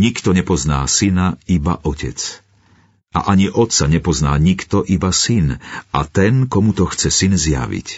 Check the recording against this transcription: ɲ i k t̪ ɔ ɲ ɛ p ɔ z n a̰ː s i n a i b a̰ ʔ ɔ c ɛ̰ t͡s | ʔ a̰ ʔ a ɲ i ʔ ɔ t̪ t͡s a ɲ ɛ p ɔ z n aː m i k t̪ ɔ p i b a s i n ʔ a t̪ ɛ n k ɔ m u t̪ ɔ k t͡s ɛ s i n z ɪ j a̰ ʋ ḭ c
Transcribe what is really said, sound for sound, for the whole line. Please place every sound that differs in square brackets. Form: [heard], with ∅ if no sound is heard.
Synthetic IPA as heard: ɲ i k t̪ ɔ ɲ ɛ p ɔ z n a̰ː s i n a i b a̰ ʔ ɔ c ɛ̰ t͡s | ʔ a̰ ʔ a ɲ i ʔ ɔ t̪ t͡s a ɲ ɛ p ɔ z n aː [ɲ] i k t̪ ɔ [ʔ] i b a s i n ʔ a t̪ ɛ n k ɔ m u t̪ ɔ [x] t͡s ɛ s i n z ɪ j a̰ ʋ ḭ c